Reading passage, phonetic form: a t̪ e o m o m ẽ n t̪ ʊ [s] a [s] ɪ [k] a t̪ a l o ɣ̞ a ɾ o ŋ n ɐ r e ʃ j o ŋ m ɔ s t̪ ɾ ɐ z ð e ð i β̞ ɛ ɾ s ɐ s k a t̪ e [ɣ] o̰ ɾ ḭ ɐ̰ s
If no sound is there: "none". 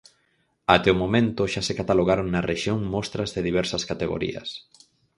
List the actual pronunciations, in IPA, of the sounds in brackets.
ʃ, s, k, ɣ

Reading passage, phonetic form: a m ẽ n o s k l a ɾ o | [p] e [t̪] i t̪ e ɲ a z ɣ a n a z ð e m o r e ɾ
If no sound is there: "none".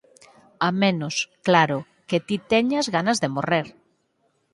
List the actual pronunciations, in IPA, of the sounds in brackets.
k, t̪

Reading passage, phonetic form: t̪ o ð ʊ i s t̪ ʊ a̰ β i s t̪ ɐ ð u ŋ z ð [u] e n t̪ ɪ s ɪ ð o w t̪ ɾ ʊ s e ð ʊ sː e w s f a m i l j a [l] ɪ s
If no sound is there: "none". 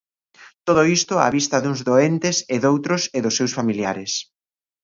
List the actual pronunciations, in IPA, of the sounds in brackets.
o, ɾ

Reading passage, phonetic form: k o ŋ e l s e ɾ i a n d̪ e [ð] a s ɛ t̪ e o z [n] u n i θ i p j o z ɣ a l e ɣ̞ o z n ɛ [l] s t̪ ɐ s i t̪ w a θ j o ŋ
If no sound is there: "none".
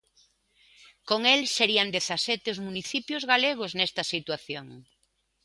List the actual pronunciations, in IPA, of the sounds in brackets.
θ, m, none

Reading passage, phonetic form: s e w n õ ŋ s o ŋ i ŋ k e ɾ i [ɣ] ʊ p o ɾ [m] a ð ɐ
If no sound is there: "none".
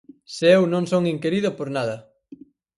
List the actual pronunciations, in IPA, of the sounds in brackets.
ð, n

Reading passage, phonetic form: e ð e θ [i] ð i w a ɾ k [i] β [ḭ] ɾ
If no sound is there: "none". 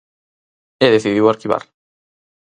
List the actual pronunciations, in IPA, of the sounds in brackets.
i, i, a̰

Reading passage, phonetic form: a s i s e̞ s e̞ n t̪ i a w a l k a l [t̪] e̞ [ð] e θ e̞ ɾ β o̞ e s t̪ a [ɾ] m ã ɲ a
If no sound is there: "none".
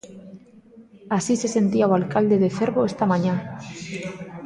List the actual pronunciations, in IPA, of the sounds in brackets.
d̪, ð, none

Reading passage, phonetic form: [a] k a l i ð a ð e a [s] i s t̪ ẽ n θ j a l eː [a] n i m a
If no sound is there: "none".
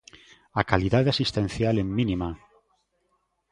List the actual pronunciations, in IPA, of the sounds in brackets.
a, s, i

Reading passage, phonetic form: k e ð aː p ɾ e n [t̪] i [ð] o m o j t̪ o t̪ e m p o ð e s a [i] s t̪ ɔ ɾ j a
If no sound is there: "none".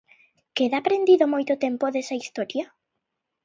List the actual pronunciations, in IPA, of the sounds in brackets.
d̪, ð, i

